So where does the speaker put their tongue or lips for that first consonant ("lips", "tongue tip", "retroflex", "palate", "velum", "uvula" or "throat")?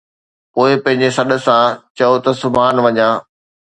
lips